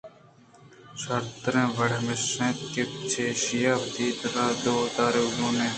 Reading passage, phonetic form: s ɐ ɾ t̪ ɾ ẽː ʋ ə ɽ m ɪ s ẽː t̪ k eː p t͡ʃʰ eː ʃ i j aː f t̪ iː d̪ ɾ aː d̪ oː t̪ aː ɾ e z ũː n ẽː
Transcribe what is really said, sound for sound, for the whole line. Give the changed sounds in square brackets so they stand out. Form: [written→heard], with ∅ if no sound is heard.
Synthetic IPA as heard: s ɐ ɾ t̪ ɾ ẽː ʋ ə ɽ m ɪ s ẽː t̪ k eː p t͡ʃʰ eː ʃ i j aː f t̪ iː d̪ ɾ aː d̪ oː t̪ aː ɾ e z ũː n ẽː